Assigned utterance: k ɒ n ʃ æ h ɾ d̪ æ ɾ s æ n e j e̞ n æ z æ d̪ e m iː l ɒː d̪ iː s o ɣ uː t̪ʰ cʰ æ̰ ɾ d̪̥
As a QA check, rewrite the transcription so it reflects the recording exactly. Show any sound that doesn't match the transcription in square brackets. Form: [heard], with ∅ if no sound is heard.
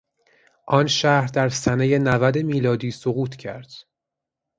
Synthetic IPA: [ʔ] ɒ n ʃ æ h ɾ d̪ æ ɾ s æ n e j e̞ n æ [v] æ d̪ e m iː l ɒː d̪ iː s o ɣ uː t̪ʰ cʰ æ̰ ɾ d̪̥

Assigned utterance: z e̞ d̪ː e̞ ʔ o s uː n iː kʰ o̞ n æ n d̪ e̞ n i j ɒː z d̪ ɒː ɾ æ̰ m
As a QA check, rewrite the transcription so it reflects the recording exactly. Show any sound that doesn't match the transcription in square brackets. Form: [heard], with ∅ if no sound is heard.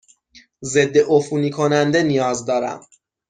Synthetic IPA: z e̞ d̪ː e̞ ʔ o [f] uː n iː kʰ o̞ n æ n d̪ e̞ n i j ɒː z d̪ ɒː ɾ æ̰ m

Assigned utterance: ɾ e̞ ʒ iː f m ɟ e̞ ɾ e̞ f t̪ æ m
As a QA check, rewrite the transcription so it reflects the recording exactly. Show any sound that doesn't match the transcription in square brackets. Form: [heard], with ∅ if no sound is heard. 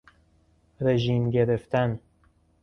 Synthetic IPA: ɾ e̞ ʒ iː [∅] m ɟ e̞ ɾ e̞ f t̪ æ [n]

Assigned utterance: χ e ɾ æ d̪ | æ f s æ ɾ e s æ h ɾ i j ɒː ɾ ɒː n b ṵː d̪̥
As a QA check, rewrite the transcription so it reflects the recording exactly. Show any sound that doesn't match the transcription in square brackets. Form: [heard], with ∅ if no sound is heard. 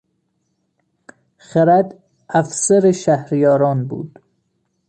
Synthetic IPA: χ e ɾ æ d̪ | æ f s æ ɾ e [ʃ] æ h ɾ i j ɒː ɾ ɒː n b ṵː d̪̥

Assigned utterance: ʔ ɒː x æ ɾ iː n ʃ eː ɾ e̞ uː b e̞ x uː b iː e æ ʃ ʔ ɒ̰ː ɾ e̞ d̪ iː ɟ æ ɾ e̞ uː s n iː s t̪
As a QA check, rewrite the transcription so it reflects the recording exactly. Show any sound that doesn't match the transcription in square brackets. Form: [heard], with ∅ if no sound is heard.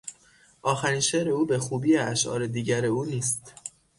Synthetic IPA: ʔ ɒː x æ ɾ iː n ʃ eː ɾ e̞ uː b e̞ x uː b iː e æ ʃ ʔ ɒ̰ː ɾ e̞ d̪ iː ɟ æ ɾ e̞ uː [∅] n iː s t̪

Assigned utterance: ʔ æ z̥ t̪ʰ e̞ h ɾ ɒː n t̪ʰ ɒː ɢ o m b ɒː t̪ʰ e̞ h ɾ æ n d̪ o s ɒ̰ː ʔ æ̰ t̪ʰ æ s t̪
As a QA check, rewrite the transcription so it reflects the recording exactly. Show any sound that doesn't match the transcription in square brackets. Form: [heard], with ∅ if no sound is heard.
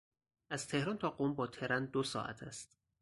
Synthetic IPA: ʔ æ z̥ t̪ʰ e̞ h ɾ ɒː n t̪ʰ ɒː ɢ o m b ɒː t̪ʰ e̞ [∅] ɾ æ n d̪ o s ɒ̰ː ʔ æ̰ t̪ʰ æ s t̪

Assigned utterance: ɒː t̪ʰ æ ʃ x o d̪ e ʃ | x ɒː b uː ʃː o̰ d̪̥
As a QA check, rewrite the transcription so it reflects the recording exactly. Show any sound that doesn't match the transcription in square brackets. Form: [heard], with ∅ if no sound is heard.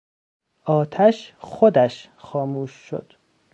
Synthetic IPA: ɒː t̪ʰ æ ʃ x o d̪ [æ] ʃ | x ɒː [m] uː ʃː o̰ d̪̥

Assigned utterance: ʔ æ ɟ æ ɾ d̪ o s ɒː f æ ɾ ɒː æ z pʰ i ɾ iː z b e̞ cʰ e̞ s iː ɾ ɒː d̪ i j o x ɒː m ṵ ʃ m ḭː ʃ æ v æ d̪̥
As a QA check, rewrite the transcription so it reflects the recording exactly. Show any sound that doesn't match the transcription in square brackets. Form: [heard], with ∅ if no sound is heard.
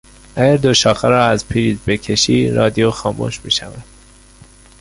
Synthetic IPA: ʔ æ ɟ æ ɾ d̪ o [ʃ] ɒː [x] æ ɾ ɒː æ z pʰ i ɾ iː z b e̞ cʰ e̞ [ʃ] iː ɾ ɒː d̪ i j o x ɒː m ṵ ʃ m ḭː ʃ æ v æ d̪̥

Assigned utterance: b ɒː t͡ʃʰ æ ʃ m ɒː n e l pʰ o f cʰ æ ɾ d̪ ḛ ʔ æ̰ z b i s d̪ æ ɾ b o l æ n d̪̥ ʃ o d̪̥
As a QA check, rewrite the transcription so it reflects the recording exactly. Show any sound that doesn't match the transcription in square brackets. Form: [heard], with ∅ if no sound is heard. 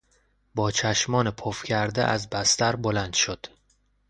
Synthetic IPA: b ɒː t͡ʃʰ æ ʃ m ɒː n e [∅] pʰ o f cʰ æ ɾ d̪ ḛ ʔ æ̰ z b [æ] s [t̪] æ ɾ b o l æ n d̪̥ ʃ o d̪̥

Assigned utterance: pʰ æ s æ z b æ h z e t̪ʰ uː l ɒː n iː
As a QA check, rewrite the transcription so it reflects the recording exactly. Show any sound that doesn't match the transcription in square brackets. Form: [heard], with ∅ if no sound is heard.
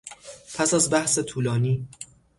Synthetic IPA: pʰ æ s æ z b æ h [s] e t̪ʰ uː l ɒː n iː

